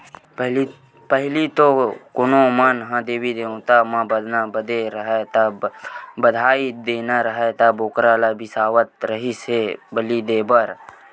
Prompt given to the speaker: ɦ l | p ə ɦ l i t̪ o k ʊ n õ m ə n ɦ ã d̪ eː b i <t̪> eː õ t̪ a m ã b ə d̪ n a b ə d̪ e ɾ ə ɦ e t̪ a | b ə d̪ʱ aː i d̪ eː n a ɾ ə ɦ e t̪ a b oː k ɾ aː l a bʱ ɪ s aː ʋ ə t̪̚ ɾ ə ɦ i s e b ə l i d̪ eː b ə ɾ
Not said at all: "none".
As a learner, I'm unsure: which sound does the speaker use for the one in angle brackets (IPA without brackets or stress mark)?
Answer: d̪